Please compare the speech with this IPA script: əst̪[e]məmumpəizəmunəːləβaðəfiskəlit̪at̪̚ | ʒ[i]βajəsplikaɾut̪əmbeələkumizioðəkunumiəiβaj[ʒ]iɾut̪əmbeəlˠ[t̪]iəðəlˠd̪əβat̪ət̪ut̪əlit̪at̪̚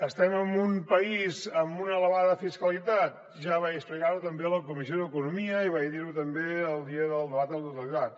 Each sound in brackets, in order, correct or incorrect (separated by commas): incorrect, incorrect, incorrect, incorrect